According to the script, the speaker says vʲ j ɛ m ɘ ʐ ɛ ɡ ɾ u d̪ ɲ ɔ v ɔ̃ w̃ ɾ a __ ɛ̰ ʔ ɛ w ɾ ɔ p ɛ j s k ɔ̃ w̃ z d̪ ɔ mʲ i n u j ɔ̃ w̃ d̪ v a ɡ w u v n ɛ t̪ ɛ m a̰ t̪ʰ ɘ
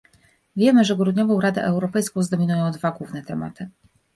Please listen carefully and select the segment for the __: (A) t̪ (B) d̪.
B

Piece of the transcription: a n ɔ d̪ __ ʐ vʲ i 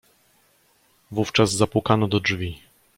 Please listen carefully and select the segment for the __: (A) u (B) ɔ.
B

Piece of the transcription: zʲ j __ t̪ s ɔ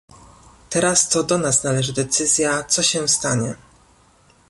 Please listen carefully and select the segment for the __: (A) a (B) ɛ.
A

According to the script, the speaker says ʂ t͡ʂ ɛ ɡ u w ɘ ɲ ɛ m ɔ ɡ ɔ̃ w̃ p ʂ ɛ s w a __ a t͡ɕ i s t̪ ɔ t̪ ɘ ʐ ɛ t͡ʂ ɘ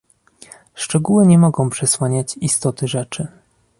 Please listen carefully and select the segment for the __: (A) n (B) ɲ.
B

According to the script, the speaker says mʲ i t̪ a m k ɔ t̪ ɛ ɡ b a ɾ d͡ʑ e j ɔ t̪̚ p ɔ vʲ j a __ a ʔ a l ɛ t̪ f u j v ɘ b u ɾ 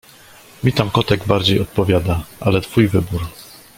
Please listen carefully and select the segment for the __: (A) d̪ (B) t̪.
A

